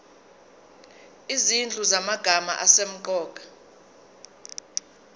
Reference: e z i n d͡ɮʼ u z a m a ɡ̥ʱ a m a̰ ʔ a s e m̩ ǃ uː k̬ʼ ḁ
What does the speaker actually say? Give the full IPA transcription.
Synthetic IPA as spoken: i z i n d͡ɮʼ u z a m a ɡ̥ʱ a m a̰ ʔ a s e m̩ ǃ ɔː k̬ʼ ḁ